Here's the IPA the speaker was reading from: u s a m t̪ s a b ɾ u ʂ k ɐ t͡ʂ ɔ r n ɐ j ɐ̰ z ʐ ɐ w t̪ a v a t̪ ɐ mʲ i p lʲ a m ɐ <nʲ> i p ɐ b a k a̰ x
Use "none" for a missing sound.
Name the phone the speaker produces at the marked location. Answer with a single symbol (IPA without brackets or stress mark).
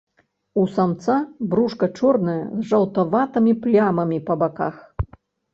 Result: mʲ